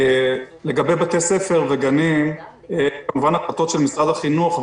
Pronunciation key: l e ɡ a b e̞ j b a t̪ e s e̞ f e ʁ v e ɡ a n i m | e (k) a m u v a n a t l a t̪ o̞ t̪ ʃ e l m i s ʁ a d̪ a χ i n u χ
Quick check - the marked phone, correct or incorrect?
correct